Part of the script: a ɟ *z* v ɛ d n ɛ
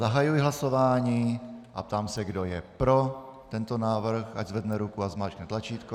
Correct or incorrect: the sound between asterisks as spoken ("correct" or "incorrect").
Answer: correct